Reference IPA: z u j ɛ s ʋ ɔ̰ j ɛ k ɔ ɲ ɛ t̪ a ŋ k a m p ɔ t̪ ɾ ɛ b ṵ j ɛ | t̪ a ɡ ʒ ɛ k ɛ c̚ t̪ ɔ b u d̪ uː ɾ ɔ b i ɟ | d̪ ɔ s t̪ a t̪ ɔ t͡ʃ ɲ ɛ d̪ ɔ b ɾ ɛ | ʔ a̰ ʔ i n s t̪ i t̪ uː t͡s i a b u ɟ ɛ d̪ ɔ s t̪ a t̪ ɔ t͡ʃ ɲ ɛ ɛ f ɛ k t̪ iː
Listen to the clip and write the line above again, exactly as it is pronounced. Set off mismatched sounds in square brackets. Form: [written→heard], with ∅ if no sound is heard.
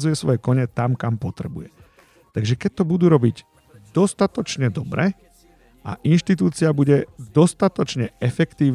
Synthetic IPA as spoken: z u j ɛ s ʋ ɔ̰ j ɛ k ɔ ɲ ɛ t̪ a [ŋ→m] k a m p ɔ t̪ ɾ ɛ b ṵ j ɛ | t̪ a ɡ ʒ ɛ k ɛ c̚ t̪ ɔ b u d̪ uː ɾ ɔ b i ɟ | d̪ ɔ s t̪ a t̪ ɔ t͡ʃ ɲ ɛ d̪ ɔ b ɾ ɛ | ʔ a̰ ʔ i n [s→ʃ] t̪ i t̪ uː t͡s i a b u ɟ ɛ d̪ ɔ s t̪ a t̪ ɔ t͡ʃ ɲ ɛ ɛ f ɛ k t̪ iː